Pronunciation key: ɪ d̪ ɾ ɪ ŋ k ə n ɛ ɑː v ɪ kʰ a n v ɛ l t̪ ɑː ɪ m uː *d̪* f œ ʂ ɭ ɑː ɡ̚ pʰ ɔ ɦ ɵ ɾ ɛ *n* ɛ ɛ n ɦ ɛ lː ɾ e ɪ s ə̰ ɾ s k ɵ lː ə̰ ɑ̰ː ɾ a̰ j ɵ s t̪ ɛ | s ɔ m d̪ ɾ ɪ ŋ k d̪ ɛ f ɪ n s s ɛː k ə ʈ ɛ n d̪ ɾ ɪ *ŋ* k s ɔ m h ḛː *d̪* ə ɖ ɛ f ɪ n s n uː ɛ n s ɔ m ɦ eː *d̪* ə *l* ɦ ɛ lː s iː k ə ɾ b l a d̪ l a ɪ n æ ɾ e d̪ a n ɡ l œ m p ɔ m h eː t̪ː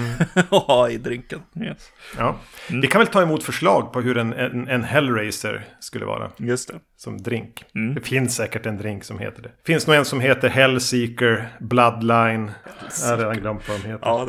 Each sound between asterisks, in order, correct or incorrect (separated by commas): incorrect, correct, correct, incorrect, incorrect, incorrect